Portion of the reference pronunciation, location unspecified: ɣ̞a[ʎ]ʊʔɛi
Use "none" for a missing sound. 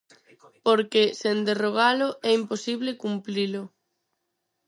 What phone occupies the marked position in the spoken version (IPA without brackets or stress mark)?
l